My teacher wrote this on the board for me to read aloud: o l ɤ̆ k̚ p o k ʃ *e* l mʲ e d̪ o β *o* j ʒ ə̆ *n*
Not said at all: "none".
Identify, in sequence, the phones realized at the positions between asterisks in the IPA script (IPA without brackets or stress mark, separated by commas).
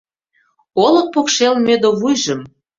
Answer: e, u, m